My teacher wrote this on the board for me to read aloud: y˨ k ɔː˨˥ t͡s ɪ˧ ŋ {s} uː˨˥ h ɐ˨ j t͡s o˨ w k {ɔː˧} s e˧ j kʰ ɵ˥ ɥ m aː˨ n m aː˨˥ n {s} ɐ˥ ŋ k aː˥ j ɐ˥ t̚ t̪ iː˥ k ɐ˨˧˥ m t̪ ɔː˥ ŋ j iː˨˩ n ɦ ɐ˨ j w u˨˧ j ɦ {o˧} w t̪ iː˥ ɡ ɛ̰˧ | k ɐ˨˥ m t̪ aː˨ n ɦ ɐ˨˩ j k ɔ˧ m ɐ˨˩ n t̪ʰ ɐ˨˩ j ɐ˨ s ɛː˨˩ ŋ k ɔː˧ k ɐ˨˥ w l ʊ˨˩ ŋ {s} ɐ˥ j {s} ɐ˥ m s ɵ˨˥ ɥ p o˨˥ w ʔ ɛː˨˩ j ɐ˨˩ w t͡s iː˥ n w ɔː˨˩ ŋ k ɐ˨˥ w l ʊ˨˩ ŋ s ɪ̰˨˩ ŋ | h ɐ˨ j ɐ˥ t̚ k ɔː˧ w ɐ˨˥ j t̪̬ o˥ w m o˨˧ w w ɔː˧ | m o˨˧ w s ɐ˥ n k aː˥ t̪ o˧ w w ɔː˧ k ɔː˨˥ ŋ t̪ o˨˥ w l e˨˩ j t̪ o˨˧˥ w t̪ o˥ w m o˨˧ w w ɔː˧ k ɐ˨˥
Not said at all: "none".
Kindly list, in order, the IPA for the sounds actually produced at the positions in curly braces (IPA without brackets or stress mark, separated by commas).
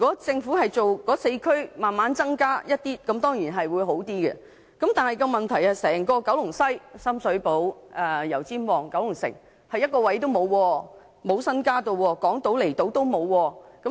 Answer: f, ɔː˨˥, t͡s, o˨˥, s, s